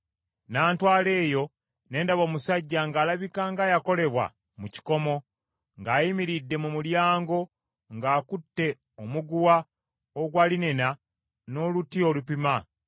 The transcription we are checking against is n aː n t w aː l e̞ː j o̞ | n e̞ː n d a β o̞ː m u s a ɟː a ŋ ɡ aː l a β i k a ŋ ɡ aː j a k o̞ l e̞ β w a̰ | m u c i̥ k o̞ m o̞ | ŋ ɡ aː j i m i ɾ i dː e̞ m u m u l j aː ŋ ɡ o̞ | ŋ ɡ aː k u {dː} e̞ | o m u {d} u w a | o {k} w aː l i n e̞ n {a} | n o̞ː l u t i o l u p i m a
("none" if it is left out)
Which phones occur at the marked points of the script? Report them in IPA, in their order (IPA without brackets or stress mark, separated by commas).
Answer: tː, ɡ, ɡ, a